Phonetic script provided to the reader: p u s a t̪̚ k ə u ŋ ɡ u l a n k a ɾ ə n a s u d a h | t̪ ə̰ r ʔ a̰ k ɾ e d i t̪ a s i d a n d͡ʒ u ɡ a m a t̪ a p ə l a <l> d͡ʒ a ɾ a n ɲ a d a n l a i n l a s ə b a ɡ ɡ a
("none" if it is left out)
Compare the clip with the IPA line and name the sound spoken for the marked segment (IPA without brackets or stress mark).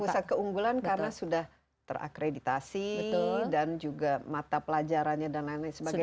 none